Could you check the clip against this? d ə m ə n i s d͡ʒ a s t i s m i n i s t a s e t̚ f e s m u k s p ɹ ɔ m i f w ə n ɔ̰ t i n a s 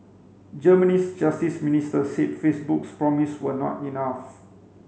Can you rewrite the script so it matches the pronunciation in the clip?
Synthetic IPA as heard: d͡ʒ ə m ə n i s d͡ʒ a s t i s m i n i s t ə s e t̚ f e s b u k s p ɹ ɔ m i s w ə n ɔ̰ t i n a f